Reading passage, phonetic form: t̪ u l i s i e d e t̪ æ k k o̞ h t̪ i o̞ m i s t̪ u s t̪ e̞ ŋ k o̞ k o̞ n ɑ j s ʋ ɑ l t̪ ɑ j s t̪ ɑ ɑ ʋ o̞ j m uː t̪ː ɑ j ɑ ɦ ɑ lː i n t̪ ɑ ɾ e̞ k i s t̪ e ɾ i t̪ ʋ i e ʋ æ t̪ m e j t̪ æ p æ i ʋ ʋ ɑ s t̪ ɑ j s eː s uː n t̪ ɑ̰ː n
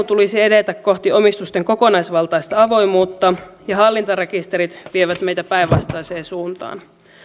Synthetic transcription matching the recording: t̪ u l i s i e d e t̪ æ k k o̞ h t̪ i o̞ m i s t̪ u s t̪ e̞ ŋ k o̞ k o̞ n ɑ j s ʋ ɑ l t̪ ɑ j s t̪ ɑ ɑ ʋ o̞ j m uː t̪ː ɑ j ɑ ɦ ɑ lː i n t̪ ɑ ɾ e̞ k i s t̪ e ɾ i t̪ ʋ i e ʋ æ t̪ m e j t̪ æ p æ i ʋ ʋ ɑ s t̪ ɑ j s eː s uː n t̪ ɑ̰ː n